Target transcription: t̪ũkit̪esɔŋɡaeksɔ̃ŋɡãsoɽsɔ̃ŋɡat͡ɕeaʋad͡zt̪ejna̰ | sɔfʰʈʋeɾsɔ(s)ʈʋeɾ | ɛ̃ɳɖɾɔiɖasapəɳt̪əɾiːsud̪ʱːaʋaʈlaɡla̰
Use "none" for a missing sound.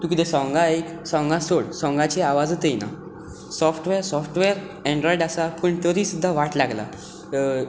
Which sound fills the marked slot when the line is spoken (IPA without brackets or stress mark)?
f